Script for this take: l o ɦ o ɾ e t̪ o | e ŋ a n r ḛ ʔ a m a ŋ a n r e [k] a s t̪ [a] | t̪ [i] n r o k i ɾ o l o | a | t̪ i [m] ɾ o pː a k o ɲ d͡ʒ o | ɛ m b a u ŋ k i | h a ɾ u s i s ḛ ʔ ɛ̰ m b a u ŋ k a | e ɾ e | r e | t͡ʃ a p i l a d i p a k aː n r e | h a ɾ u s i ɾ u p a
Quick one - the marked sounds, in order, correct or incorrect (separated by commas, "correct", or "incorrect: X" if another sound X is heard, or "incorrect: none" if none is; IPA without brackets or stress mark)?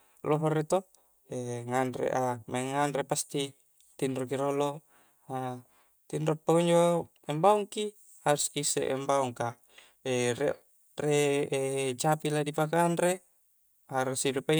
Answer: incorrect: p, incorrect: i, correct, incorrect: n